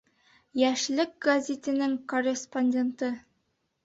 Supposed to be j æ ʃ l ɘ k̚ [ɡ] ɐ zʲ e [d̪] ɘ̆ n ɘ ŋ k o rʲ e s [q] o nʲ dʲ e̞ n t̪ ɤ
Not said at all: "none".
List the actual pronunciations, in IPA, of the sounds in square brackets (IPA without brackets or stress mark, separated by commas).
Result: ɡ, t̪, p